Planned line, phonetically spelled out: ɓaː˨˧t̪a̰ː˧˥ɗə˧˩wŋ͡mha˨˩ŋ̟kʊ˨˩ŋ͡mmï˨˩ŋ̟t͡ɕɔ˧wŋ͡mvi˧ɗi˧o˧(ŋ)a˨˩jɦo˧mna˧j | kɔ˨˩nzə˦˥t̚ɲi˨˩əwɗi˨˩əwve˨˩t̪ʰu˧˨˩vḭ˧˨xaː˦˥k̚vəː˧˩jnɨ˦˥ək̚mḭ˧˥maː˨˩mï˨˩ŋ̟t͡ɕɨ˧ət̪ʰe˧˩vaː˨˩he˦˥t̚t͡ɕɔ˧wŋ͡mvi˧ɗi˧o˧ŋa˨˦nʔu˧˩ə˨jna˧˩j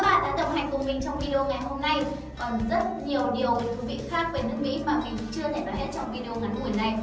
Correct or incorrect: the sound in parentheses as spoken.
correct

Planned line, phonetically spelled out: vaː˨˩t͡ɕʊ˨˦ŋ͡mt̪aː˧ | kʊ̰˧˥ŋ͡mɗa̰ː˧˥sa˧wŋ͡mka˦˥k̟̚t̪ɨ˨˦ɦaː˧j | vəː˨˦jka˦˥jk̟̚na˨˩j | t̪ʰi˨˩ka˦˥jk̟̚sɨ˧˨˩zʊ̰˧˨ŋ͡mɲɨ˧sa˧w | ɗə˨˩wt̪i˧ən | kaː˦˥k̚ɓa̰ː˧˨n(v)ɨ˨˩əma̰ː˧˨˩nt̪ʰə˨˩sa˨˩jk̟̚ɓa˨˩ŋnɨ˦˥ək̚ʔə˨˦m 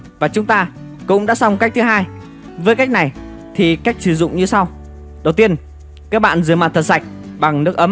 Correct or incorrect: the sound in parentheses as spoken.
incorrect: z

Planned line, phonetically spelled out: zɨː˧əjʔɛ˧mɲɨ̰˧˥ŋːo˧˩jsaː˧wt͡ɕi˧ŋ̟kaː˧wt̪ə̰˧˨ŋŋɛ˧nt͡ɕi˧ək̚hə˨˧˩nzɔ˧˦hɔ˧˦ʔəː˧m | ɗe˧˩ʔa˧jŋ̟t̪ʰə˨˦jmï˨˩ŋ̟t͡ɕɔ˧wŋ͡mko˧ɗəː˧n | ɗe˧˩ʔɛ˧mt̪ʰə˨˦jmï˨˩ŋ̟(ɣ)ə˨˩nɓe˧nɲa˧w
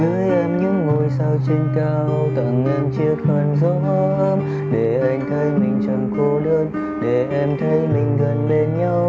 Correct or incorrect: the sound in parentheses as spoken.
correct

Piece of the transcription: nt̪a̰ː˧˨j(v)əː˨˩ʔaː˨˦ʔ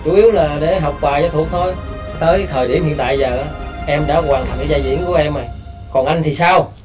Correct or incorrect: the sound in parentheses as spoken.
incorrect: z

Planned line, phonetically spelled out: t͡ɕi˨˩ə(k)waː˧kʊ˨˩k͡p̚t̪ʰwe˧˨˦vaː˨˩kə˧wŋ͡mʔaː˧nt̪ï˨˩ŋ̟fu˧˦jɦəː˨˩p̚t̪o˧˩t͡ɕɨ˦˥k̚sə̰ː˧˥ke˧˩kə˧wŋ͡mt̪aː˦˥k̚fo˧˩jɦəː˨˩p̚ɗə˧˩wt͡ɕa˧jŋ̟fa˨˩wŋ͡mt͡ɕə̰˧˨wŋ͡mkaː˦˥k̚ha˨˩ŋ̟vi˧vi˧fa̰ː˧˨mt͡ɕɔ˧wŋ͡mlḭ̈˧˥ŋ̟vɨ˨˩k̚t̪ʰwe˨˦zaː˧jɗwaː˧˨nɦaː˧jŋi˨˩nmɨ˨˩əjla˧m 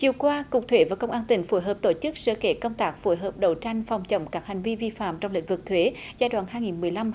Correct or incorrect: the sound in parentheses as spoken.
correct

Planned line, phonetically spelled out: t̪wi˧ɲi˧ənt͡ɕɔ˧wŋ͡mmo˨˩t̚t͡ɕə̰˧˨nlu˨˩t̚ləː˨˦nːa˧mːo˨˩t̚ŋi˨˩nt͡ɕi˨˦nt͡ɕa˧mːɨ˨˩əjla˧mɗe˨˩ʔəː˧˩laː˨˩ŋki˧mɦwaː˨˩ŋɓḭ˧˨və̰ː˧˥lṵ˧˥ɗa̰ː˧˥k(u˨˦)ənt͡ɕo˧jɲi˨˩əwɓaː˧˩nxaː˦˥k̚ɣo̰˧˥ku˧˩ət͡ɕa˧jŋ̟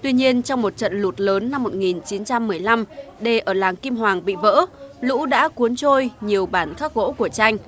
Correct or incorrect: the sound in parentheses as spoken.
correct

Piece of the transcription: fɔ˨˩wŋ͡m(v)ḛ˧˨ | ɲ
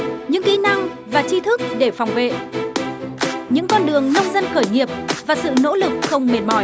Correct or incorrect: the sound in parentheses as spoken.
correct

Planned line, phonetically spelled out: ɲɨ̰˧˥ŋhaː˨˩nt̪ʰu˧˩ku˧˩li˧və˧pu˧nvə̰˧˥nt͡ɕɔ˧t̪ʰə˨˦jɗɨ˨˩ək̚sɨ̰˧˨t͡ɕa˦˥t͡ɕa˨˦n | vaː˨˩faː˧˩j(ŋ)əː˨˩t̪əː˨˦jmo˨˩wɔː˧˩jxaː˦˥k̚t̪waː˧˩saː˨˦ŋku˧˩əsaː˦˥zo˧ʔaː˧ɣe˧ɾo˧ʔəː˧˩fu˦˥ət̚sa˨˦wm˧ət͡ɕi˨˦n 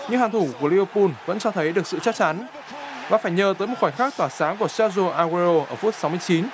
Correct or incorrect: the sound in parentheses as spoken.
incorrect: ɲ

